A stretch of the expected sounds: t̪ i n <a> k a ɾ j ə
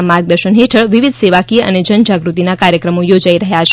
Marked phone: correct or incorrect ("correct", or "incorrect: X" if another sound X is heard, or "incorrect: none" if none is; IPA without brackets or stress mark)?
correct